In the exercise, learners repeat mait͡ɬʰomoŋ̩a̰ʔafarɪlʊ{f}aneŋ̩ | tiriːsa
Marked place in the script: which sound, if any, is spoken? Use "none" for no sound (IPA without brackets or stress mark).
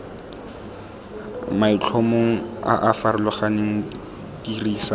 χ